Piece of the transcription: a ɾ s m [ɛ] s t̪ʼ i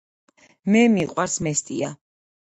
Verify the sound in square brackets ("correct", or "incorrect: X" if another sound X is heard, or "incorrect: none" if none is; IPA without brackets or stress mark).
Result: correct